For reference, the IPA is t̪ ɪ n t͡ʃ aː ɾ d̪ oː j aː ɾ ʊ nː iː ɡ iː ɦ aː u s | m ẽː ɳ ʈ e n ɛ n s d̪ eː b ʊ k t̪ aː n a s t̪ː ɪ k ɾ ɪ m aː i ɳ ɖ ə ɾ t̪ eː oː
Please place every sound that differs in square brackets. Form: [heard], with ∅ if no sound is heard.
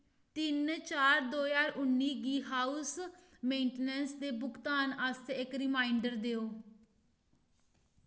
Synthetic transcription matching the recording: t̪ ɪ n t͡ʃ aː ɾ d̪ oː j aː ɾ ʊ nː iː ɡ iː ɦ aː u s | m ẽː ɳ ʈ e n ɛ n s d̪ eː b ʊ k t̪ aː n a s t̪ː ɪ k ɾ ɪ m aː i ɳ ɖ ə ɾ [d̪] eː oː